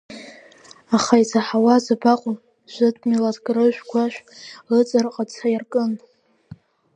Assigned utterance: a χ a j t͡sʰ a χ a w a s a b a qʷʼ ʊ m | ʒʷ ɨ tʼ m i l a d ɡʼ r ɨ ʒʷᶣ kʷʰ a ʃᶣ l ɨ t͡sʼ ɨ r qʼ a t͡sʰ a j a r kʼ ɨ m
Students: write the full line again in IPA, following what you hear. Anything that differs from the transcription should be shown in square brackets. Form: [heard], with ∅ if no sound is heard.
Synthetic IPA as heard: a χ a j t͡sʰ a [ħ] a w a [z] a b a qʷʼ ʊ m | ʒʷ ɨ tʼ m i l a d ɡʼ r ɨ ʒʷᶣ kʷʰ a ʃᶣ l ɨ t͡sʼ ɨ r qʼ a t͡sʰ a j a r kʼ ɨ [n]